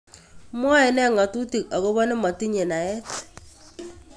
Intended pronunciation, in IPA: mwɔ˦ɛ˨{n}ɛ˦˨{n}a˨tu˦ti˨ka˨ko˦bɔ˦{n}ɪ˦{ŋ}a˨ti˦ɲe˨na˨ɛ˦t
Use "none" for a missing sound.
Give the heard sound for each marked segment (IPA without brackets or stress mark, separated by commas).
n, ŋ, n, m